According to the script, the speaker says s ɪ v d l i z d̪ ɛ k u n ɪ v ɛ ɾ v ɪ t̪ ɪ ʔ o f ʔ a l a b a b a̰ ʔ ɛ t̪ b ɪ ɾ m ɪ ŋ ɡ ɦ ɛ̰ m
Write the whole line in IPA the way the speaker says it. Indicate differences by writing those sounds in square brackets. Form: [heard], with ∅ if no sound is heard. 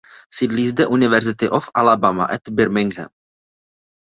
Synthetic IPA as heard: s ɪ [∅] d l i z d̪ ɛ [ʔ] u n ɪ v ɛ ɾ [z] ɪ t̪ ɪ ʔ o f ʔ a l a b a [m] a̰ ʔ ɛ t̪ b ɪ ɾ m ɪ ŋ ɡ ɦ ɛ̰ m